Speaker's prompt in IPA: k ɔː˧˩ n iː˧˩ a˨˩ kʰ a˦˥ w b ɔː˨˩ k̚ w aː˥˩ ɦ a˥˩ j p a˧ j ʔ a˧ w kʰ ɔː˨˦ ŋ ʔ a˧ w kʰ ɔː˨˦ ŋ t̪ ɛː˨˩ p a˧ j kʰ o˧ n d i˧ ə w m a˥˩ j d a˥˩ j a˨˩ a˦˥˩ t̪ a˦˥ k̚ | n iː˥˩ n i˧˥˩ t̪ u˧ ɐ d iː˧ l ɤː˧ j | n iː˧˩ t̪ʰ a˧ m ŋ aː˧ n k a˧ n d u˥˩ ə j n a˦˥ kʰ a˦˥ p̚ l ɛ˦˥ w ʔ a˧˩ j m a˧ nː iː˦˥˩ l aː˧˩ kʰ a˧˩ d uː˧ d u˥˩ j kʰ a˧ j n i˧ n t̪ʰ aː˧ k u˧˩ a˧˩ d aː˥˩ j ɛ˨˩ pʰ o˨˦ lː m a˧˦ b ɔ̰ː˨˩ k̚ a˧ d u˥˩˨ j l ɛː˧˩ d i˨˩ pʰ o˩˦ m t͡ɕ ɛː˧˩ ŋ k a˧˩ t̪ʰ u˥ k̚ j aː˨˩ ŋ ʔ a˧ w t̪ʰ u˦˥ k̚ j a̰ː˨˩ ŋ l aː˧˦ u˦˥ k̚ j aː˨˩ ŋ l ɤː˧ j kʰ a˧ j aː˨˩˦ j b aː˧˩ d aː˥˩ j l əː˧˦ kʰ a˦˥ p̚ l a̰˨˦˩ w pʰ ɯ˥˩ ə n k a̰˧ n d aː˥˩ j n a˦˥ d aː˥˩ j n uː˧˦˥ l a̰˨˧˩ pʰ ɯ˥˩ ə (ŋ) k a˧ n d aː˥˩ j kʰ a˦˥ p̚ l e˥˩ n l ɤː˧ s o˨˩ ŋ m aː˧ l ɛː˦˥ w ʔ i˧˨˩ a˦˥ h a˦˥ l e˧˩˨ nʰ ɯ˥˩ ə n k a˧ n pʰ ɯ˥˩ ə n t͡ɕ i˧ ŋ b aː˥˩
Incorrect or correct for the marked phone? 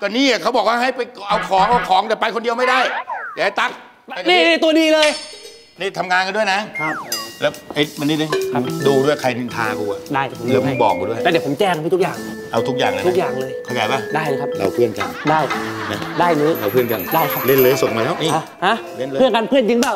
incorrect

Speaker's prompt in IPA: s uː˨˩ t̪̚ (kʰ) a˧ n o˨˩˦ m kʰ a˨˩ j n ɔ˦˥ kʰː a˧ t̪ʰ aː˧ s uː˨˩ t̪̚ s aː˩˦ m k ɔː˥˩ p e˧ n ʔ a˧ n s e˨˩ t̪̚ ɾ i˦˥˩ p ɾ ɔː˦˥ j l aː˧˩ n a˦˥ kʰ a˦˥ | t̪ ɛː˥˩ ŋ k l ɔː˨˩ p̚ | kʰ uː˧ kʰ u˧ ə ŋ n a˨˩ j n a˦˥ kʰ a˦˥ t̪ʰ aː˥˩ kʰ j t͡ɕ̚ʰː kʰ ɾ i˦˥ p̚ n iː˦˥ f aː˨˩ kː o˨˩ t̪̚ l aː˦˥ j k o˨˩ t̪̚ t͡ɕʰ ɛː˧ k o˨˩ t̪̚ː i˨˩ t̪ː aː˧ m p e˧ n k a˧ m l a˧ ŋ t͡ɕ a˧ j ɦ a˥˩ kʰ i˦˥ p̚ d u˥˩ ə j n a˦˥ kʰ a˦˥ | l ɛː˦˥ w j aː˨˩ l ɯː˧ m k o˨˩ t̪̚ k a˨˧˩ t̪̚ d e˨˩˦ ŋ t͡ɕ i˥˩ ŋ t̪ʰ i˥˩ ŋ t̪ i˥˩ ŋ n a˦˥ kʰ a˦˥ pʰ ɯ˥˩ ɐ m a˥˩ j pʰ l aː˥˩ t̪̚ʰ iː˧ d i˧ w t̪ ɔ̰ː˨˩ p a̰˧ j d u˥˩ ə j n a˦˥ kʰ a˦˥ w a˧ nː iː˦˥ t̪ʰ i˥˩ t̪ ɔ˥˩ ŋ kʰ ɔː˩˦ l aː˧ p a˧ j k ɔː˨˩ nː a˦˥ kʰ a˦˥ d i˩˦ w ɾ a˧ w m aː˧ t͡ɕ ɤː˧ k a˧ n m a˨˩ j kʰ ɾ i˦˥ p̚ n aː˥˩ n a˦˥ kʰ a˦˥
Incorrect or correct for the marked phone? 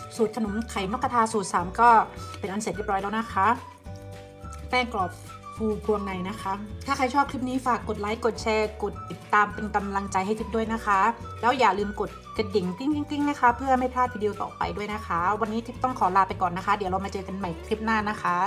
correct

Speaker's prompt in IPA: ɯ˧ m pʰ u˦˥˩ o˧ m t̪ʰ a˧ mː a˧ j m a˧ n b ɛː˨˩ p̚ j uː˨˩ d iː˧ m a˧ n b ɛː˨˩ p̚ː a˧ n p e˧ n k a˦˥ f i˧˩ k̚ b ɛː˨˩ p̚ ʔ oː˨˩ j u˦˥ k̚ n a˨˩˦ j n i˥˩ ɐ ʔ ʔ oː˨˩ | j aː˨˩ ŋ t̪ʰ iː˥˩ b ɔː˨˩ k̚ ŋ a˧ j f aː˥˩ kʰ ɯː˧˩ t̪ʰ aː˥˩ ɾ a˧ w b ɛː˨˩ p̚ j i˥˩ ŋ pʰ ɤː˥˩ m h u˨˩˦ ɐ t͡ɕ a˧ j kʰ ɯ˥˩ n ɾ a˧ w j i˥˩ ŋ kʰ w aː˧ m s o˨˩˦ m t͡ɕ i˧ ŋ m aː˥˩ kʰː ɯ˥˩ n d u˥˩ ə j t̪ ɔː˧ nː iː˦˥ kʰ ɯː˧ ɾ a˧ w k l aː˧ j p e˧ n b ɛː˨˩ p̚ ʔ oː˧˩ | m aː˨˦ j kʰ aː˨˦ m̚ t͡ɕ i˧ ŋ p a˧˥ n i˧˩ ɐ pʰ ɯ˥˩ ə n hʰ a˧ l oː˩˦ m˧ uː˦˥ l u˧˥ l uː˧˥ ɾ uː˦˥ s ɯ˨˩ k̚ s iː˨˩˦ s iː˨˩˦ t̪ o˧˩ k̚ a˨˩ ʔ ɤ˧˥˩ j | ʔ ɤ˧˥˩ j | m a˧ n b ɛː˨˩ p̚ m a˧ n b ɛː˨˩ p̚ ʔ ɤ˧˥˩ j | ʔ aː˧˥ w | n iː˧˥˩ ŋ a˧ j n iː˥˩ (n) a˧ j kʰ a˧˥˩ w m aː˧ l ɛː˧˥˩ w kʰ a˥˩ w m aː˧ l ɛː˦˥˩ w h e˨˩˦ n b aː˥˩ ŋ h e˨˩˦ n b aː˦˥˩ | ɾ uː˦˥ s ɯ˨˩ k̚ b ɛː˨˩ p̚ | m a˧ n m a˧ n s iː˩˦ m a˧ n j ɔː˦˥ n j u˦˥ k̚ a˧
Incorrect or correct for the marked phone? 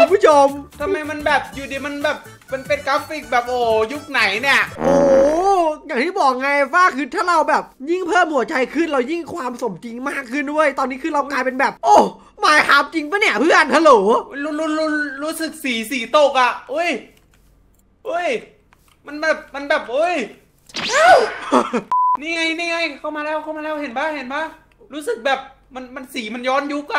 incorrect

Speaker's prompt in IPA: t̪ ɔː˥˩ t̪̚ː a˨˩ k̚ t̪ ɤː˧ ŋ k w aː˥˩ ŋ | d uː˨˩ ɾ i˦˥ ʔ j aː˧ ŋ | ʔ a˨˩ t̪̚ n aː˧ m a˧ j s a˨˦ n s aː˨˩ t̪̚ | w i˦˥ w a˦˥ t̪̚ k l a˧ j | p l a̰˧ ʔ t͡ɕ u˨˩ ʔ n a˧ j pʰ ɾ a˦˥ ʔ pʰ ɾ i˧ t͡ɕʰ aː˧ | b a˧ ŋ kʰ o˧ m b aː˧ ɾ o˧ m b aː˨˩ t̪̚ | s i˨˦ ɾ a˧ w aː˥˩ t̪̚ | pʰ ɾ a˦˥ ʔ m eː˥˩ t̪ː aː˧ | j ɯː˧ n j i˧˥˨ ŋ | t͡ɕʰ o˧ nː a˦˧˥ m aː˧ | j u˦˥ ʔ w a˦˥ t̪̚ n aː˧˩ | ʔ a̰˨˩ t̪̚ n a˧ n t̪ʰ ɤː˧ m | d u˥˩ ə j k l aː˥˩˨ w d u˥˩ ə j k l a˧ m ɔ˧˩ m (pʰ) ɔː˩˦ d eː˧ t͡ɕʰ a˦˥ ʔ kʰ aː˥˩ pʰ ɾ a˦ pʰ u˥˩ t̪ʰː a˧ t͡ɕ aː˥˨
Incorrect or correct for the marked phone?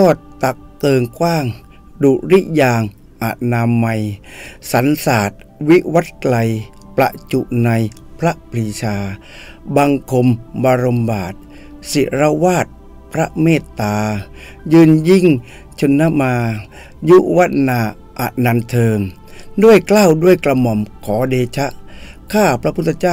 incorrect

